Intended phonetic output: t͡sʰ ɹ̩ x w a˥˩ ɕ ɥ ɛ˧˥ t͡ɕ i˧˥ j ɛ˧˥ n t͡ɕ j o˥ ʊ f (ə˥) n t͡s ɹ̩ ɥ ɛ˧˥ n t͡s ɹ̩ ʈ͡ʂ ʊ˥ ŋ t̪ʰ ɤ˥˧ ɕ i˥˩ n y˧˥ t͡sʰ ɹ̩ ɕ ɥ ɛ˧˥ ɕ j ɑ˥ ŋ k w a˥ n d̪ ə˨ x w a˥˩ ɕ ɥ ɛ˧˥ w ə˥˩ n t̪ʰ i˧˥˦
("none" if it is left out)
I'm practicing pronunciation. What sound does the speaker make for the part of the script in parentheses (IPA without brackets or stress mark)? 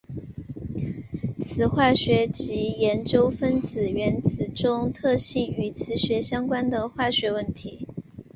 ə˥